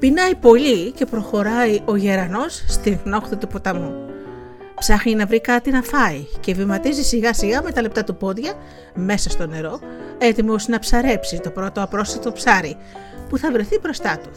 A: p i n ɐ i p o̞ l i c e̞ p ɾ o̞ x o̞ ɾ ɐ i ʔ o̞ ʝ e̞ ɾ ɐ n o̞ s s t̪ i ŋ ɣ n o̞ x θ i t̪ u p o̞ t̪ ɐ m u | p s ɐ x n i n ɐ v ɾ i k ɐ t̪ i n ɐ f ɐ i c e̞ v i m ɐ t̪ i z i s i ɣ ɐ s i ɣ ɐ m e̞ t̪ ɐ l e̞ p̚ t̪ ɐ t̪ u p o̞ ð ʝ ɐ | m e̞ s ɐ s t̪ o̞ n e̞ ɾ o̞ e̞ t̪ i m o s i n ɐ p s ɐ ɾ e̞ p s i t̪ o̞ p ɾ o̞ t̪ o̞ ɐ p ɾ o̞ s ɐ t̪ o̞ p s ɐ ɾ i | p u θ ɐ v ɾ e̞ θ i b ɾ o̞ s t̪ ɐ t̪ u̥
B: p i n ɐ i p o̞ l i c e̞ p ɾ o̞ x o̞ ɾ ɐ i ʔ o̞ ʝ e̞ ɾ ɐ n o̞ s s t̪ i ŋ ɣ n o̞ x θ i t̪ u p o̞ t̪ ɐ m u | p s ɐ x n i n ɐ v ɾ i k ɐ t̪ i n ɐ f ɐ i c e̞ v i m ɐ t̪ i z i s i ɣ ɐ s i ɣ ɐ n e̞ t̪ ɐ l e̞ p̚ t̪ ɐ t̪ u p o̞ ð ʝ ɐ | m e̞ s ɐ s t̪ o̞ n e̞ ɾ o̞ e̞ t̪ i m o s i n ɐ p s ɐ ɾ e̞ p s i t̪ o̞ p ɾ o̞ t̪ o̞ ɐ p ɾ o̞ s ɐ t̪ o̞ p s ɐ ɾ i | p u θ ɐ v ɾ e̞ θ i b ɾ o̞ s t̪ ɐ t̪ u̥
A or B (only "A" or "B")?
A